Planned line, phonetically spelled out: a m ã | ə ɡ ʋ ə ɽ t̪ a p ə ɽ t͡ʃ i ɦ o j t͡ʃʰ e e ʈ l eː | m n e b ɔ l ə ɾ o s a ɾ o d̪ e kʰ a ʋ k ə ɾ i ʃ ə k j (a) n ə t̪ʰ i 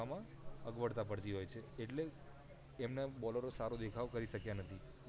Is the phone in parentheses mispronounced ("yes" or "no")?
no